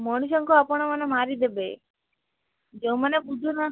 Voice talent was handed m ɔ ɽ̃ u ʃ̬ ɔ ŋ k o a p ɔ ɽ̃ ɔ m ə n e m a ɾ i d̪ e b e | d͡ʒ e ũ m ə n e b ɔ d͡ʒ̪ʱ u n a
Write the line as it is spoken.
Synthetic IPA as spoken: m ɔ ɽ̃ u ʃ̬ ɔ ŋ k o a p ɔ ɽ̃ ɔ m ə n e m a ɾ i d̪ e b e | d͡ʒ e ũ m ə n e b u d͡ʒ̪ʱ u n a